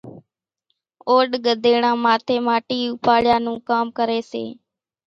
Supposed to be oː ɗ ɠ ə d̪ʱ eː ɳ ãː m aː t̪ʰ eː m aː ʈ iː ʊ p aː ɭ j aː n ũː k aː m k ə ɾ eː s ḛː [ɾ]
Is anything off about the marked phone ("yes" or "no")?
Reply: yes